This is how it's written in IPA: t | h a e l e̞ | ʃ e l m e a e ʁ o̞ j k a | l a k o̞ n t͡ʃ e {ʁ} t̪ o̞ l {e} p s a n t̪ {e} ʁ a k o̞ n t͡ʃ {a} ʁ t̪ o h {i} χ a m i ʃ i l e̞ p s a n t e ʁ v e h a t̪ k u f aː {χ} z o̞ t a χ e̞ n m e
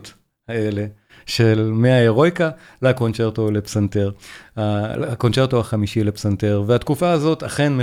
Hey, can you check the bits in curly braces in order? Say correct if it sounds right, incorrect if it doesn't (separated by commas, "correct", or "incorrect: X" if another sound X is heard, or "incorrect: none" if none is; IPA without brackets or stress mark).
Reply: correct, correct, correct, incorrect: e, incorrect: a, incorrect: none